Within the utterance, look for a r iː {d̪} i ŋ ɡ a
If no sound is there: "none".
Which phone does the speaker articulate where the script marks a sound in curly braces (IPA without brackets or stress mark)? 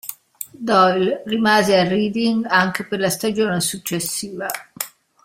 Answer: d̪